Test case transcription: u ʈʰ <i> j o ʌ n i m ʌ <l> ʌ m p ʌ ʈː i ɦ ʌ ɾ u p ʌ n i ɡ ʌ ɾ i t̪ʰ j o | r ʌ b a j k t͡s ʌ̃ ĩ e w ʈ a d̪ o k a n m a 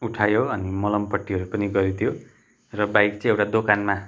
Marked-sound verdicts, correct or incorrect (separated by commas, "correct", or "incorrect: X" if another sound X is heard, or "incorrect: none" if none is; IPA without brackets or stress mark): incorrect: a, correct